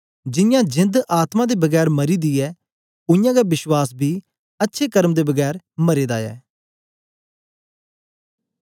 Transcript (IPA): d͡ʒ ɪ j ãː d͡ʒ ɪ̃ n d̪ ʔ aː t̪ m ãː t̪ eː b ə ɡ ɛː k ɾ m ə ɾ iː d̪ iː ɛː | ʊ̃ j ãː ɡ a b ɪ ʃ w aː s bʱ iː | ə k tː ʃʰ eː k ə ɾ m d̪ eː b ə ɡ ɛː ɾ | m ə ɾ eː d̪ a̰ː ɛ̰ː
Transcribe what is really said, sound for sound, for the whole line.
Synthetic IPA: d͡ʒ ɪ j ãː d͡ʒ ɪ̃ n d̪ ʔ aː t̪ m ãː d̪ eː b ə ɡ ɛː ɾ m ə ɾ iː d̪ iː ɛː | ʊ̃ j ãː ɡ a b ɪ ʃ w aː s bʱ iː | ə tː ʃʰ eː k ə ɾ m d̪ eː b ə ɡ ɛː ɾ | m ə ɾ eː d̪ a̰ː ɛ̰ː